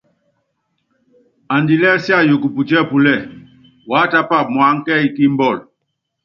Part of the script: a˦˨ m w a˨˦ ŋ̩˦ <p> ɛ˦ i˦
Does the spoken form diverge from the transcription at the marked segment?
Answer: yes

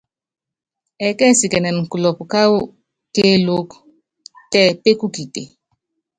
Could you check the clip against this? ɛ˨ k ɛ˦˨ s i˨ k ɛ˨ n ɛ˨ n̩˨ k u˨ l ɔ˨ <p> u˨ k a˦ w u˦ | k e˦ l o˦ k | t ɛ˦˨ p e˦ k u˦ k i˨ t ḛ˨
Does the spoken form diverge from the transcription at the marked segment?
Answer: no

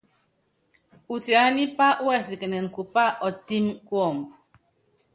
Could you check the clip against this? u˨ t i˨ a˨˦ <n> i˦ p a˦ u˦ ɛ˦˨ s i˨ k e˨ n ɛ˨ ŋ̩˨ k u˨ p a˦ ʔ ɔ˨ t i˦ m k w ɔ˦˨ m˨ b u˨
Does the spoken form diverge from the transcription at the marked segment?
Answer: no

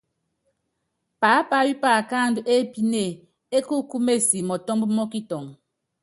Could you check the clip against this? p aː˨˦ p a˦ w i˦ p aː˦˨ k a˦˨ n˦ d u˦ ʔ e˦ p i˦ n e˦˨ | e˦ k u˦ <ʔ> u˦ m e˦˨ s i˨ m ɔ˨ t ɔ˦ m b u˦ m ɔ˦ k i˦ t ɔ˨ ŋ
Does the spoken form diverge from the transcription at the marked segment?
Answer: yes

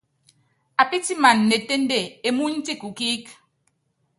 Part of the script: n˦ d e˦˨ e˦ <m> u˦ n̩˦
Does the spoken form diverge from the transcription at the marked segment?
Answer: no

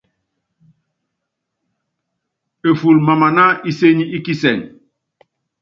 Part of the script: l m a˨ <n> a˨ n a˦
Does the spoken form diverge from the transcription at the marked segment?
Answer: yes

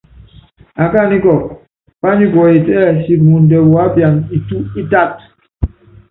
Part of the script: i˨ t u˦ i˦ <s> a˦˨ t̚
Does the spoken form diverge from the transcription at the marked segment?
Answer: yes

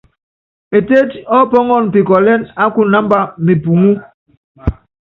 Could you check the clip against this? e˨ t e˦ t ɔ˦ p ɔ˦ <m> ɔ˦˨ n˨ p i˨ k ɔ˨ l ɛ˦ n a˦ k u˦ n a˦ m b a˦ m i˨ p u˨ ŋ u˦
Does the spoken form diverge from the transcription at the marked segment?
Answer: yes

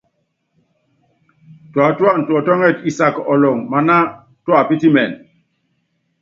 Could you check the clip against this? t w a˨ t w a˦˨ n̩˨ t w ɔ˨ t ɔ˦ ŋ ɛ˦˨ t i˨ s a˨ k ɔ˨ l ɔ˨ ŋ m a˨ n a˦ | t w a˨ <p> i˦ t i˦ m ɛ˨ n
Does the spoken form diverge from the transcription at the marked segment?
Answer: no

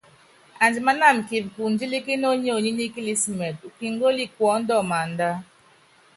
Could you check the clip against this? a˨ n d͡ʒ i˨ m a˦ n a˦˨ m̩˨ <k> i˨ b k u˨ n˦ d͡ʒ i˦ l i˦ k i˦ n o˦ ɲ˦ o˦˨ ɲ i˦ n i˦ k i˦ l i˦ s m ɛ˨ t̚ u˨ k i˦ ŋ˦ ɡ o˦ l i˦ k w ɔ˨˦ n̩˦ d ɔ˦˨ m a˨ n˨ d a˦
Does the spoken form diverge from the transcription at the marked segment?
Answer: no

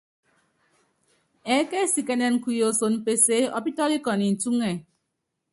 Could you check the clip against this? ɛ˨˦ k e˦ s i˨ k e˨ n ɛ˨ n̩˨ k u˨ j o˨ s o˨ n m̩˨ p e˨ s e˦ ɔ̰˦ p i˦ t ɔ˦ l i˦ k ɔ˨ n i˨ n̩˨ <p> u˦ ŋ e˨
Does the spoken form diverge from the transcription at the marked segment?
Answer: yes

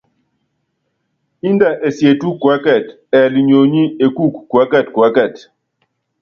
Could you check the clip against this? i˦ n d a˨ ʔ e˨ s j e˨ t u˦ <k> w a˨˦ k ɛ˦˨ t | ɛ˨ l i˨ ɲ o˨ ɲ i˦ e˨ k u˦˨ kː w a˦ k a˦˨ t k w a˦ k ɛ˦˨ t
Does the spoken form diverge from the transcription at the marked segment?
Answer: no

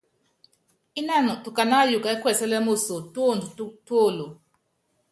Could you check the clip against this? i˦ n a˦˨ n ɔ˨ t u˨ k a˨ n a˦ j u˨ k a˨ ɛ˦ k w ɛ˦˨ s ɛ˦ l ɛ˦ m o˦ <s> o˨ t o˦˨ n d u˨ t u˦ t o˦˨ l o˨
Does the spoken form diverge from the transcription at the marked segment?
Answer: no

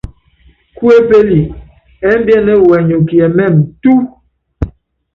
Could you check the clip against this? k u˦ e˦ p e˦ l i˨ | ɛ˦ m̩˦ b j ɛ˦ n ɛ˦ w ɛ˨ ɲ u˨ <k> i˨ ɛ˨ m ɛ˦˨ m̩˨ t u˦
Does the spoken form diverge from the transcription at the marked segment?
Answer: no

